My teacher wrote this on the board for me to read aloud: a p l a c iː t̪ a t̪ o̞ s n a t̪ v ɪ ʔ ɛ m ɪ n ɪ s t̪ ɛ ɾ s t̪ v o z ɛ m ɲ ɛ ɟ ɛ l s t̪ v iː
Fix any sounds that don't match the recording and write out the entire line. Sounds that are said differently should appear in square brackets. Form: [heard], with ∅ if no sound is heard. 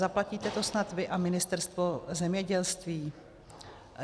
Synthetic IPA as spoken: a p l a c iː t̪ [ɛ] t̪ o̞ s n a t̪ v ɪ ʔ [a] m ɪ n ɪ s t̪ ɛ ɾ s t̪ v o z ɛ m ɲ ɛ ɟ ɛ l s t̪ v iː